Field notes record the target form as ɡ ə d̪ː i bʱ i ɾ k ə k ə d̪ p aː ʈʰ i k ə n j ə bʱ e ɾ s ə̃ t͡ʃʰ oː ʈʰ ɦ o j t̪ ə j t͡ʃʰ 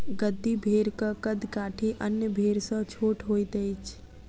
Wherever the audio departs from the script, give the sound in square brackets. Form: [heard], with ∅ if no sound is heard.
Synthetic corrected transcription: ɡ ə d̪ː i bʱ [e] ɾ k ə k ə d̪ [k] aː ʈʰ i [ʔ] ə n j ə bʱ e ɾ s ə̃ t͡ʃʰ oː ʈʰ ɦ o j t̪ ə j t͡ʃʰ